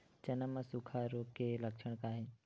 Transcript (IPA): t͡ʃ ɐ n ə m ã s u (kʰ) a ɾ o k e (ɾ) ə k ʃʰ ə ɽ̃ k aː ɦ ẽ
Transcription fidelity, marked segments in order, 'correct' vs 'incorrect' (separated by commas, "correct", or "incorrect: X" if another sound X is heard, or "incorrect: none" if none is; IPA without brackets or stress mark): correct, incorrect: l